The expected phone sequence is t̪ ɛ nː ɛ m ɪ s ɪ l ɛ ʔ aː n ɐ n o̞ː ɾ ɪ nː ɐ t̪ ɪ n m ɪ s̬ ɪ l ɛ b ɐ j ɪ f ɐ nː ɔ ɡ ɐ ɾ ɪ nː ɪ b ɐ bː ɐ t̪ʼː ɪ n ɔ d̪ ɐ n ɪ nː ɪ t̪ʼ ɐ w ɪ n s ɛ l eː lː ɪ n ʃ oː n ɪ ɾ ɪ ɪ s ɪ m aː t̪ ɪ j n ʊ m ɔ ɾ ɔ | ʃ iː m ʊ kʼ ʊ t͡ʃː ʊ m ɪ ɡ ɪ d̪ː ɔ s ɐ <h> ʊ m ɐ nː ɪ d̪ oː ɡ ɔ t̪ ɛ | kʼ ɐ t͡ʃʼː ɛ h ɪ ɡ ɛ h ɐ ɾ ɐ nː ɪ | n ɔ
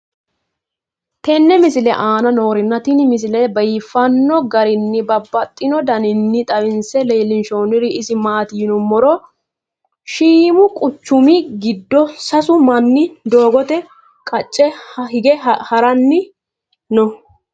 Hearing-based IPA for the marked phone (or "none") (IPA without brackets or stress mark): s